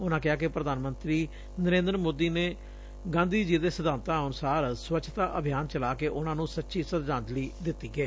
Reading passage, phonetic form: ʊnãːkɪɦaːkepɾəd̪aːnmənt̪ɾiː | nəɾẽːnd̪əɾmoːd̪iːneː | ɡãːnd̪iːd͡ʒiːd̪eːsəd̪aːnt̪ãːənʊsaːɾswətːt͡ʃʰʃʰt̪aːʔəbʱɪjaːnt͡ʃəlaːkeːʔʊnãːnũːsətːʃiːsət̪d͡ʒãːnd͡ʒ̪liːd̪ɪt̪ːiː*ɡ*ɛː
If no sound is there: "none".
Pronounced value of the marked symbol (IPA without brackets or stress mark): ɡ